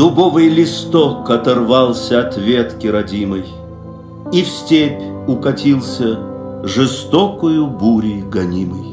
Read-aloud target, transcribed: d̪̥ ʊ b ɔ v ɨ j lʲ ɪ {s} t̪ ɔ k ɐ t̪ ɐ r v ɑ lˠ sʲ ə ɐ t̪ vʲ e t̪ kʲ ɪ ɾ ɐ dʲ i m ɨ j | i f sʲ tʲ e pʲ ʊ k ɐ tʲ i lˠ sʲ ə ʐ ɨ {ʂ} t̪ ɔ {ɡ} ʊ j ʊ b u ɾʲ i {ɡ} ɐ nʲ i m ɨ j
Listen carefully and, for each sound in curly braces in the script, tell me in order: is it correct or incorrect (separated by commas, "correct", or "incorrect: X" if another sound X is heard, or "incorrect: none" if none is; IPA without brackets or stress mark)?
correct, incorrect: s, incorrect: k, correct